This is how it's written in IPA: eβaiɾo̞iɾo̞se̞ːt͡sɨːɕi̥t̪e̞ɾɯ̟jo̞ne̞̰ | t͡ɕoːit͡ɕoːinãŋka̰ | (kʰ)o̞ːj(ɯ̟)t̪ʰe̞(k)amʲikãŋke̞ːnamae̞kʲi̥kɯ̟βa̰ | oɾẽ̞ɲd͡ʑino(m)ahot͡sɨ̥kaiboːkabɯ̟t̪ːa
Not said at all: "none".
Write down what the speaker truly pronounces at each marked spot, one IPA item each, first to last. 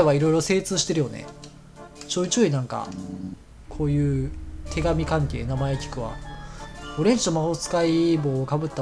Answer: kʰ, ɯ̟ː, ɡ, m

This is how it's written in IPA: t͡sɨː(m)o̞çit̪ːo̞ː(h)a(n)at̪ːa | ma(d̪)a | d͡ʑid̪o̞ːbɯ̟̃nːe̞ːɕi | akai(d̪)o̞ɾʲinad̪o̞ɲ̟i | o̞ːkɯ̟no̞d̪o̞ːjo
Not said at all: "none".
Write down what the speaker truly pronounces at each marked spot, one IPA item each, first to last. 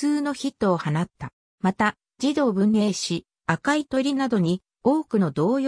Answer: n, h, n, t̪, t̪

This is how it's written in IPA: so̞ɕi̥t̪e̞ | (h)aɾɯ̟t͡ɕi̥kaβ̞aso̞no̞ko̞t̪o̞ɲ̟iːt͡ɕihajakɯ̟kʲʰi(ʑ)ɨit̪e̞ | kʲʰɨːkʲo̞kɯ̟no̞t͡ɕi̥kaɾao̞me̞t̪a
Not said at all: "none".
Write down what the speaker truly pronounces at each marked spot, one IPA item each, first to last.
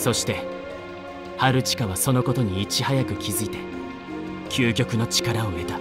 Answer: h, z

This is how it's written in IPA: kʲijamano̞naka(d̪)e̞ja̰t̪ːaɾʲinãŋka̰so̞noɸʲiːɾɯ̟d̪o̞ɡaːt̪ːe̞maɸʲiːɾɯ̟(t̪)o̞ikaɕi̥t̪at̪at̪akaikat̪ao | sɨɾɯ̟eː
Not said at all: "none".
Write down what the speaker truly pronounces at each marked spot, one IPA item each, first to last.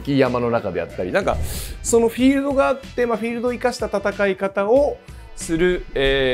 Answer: d̪, d̪

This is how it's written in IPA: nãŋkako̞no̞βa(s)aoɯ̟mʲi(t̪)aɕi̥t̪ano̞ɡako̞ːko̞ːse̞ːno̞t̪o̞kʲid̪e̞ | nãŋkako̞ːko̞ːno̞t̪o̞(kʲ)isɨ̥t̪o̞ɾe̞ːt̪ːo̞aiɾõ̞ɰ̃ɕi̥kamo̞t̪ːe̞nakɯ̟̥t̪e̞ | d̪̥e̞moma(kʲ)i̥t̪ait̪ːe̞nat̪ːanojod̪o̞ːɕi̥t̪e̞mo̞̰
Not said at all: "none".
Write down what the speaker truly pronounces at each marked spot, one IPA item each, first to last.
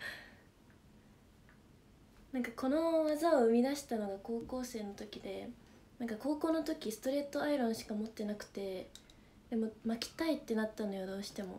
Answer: z, d̪, kʲ, kʲ

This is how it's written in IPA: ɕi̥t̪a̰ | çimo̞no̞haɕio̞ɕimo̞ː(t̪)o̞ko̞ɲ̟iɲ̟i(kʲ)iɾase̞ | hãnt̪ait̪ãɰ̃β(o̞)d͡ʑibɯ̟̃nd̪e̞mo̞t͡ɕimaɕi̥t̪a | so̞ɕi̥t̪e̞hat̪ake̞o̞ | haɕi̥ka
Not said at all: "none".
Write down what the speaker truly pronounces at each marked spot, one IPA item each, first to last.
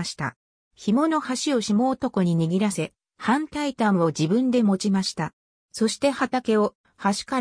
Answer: t̪, ɡʲ, o̞

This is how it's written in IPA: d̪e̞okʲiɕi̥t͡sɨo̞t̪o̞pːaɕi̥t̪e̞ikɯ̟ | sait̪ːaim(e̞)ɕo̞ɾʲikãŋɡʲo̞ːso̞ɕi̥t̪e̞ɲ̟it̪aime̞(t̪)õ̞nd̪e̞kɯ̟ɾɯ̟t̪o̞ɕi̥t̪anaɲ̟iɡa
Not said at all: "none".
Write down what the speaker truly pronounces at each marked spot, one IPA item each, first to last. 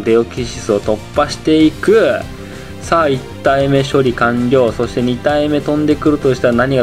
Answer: e̞, t̪

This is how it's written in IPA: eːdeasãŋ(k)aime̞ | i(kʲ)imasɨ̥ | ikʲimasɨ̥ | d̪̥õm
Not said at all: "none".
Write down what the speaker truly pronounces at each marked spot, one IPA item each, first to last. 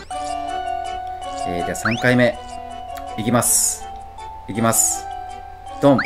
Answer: k, kʲ

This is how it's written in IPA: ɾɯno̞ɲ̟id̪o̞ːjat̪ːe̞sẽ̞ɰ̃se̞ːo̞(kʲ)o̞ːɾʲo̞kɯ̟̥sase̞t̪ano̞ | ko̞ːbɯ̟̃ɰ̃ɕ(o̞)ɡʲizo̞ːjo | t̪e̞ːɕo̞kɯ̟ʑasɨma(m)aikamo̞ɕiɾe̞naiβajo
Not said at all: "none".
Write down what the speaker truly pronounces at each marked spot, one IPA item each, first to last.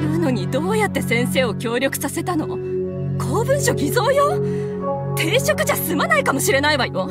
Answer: kʲ, o̞, n

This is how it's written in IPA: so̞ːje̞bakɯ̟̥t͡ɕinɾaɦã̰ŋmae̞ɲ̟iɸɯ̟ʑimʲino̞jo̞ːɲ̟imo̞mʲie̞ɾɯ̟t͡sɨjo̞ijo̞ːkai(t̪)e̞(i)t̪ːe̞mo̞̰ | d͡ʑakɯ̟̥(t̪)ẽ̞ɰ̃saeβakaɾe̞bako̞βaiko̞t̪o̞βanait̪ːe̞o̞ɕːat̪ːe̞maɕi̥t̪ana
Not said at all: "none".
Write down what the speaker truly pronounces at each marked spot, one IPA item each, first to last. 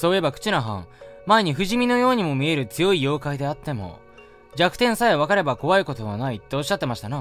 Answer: d̪, a, t̪

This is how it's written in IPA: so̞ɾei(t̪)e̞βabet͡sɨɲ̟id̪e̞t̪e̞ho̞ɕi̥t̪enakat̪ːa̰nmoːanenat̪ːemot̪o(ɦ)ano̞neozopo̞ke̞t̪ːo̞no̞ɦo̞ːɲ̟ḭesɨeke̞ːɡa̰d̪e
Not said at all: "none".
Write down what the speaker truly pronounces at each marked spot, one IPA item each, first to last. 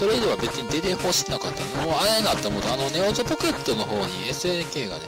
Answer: d̪, none

